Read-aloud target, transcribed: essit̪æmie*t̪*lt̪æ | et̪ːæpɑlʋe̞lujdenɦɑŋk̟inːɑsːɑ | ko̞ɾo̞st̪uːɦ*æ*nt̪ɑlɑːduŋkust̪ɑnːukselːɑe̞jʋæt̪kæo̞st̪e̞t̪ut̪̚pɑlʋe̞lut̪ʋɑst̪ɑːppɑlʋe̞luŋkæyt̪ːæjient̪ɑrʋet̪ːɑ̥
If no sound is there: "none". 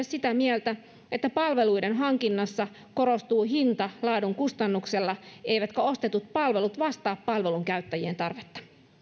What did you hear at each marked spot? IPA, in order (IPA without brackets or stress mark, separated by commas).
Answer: none, i